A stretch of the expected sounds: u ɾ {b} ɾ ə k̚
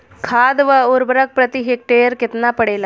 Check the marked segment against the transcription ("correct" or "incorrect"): correct